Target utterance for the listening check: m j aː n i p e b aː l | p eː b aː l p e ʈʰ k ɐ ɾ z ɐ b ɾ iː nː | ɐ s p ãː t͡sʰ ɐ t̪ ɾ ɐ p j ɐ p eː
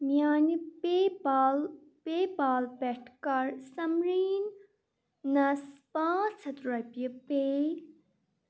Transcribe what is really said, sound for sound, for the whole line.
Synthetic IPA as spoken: m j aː n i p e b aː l | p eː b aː l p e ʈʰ k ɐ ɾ s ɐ m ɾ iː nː | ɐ s p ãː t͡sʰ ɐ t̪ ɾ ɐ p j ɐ p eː